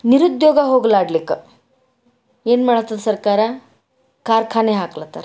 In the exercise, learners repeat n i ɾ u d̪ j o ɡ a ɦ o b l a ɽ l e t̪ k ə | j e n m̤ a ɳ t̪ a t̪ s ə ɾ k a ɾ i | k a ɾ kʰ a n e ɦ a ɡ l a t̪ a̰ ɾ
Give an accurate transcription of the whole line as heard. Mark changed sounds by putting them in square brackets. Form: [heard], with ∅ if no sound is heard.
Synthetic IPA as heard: n i ɾ u d̪ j o ɡ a ɦ o [ɡ] l a ɽ l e [∅] k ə | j e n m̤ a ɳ t̪ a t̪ s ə ɾ k a ɾ [a] | k a ɾ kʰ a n e ɦ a [k] l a t̪ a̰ ɾ

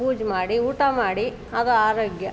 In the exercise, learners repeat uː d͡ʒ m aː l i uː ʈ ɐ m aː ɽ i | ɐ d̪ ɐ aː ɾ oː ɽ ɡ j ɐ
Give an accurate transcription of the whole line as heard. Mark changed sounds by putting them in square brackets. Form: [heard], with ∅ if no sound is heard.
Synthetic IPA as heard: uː d͡ʒ m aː [ɽ] i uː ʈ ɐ m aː ɽ i | ɐ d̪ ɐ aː ɾ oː [∅] ɡ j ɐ

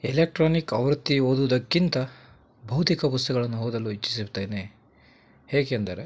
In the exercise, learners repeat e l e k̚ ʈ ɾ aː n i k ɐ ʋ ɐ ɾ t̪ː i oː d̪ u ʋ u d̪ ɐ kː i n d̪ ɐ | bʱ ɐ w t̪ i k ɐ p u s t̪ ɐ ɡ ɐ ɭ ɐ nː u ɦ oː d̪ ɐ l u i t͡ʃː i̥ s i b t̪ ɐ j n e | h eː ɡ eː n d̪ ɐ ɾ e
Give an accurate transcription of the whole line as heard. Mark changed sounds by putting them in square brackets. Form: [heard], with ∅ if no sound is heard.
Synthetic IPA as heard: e l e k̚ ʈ ɾ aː n i k ɐ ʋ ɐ ɾ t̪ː i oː d̪ u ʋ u d̪ ɐ kː i n [t̪] ɐ | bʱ ɐ w t̪ i k ɐ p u s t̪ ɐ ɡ ɐ ɭ ɐ nː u ɦ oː d̪ ɐ l u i t͡ʃː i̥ s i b t̪ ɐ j n e | h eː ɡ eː n d̪ ɐ ɾ e

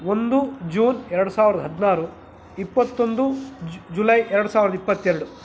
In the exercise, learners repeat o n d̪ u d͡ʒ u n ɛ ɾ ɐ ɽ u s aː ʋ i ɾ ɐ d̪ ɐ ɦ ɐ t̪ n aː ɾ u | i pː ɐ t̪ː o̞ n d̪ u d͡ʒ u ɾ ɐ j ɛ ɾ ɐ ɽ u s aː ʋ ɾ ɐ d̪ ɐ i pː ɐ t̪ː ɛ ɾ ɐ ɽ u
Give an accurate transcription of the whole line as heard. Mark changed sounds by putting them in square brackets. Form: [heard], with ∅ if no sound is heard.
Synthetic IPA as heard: o n d̪ u d͡ʒ [uː] n ɛ ɾ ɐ ɽ u s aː ʋ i ɾ ɐ d̪ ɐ ɦ ɐ [d̪] n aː ɾ u | i pː ɐ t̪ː o̞ n d̪ u d͡ʒ u [l] ɐ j ɛ ɾ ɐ ɽ u s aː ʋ ɾ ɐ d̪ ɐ i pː ɐ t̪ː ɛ ɾ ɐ ɽ u

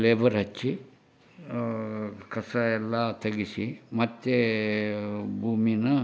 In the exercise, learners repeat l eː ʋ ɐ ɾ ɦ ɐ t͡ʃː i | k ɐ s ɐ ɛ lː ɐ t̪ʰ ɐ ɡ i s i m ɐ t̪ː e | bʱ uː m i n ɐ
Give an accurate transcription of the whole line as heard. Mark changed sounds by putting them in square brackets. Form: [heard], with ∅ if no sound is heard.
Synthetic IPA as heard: l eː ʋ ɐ ɾ ɦ ɐ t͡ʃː i | k ɐ s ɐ ɛ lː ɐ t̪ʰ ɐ ɡ i s i m ɐ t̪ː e | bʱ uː m i n ɐ

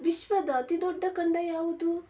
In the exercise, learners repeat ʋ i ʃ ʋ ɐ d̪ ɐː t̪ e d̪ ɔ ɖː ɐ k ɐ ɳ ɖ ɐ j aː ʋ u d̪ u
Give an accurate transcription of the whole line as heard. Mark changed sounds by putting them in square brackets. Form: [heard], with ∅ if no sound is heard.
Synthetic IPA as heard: ʋ i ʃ ʋ ɐ d̪ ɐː t̪ [i] d̪ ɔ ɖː ɐ k ɐ ɳ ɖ ɐ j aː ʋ u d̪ u

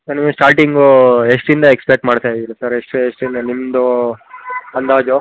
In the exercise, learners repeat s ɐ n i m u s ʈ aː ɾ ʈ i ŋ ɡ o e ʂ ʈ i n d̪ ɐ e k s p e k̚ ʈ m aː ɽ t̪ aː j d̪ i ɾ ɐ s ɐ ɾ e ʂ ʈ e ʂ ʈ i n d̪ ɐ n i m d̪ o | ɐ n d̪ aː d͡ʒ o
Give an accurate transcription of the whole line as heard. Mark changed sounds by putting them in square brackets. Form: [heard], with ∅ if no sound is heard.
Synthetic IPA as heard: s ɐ n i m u s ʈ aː ɾ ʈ i ŋ ɡ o e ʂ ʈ i n d̪ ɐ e k s p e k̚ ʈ m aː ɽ t̪ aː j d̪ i [l] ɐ s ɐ ɾ e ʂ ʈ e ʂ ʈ i n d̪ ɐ n i m d̪ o | ɐ n d̪ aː d͡ʒ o

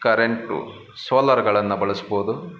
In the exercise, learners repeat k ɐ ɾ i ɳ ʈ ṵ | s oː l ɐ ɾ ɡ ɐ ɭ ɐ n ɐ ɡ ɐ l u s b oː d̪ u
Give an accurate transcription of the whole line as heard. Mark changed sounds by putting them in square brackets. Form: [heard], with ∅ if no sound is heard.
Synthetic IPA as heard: k ɐ ɾ [e] ɳ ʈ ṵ | s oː l ɐ ɾ ɡ ɐ ɭ ɐ [nː] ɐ [b] ɐ [ɭ] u s b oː d̪ u

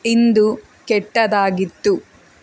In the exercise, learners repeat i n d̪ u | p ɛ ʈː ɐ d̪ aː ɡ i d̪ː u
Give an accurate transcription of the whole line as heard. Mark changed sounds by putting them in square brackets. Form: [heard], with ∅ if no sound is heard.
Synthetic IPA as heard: i n d̪ u | [k] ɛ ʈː ɐ d̪ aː ɡ i [t̪ː] u

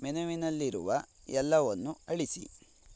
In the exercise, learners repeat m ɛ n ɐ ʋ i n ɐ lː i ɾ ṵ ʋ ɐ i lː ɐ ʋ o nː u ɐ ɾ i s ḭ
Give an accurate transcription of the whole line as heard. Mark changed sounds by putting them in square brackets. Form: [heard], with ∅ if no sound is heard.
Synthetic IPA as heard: m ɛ n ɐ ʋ i n ɐ lː i ɾ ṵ ʋ ɐ [ɛ] lː ɐ ʋ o nː u ɐ [ɭ] i s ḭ

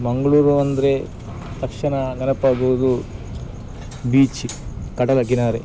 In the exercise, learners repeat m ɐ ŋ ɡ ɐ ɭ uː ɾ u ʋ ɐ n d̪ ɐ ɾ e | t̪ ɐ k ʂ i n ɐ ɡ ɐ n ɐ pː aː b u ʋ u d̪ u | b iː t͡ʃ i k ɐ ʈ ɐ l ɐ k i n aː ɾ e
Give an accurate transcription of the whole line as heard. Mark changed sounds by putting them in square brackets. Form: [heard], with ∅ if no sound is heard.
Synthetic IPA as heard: m ɐ ŋ ɡ ɐ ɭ uː ɾ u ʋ ɐ n d̪ ɐ ɾ e | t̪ ɐ k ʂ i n ɐ ɡ ɐ n ɐ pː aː [ɡ] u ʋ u d̪ u | b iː t͡ʃ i k ɐ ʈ ɐ l ɐ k i n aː ɾ e

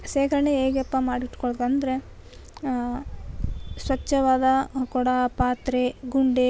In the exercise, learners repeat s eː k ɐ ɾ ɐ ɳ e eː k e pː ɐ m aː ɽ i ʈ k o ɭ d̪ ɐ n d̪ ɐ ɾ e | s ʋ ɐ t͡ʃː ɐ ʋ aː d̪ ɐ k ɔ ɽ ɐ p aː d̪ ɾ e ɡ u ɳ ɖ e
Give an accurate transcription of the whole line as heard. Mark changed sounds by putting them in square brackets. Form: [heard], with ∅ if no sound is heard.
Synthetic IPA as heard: s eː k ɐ ɾ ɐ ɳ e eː [ɡ] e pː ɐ m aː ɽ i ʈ k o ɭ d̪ ɐ n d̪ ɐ ɾ e | s ʋ ɐ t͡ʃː ɐ ʋ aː d̪ ɐ k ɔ ɽ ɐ p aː [t̪] ɾ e ɡ u ɳ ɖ e

